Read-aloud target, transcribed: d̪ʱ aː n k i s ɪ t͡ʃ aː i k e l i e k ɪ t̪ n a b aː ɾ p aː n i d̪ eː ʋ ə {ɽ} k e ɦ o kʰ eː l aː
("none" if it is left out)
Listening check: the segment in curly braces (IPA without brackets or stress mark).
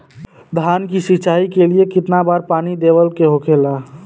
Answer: l